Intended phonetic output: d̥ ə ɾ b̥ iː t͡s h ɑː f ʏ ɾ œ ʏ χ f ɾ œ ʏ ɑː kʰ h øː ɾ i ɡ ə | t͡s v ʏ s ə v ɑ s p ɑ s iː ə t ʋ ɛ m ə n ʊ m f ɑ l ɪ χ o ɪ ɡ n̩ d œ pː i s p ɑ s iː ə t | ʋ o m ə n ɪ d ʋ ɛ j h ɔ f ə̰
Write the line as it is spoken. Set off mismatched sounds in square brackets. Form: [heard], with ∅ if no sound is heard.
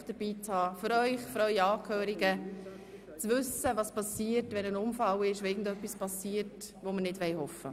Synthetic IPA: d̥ ə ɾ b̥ iː t͡s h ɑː f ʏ ɾ œ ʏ χ f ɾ œ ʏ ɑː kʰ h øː ɾ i ɡ ə | t͡s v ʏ s ə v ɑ s p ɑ s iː ə t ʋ ɛ [n] ə n ʊ m f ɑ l ɪ [ʃ] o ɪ ɡ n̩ d œ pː i s p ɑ s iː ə t | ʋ o m ə n ɪ d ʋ ɛ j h ɔ f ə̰